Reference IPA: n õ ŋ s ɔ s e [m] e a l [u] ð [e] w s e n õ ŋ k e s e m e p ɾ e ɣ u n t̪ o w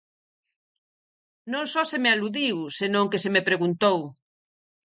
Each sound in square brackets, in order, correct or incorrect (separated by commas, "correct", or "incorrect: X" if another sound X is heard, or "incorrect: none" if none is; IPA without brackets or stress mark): correct, correct, incorrect: i